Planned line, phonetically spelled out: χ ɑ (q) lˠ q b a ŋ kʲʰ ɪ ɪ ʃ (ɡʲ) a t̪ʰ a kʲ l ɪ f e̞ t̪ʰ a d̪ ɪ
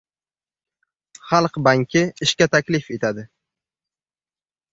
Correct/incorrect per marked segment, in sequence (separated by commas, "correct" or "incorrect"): incorrect, incorrect